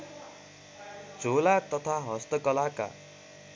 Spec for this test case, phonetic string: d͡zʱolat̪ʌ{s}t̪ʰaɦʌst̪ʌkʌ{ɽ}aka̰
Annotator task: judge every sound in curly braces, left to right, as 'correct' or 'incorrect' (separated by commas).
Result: incorrect, incorrect